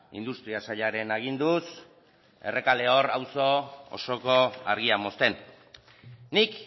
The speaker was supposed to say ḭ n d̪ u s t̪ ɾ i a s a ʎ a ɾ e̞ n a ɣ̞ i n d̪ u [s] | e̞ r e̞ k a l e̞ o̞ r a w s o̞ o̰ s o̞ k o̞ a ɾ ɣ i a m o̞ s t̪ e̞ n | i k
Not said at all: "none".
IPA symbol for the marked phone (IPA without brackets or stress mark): s